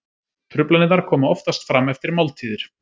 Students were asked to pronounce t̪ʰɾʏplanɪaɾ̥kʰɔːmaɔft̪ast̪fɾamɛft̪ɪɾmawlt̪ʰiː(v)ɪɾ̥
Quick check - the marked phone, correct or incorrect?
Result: incorrect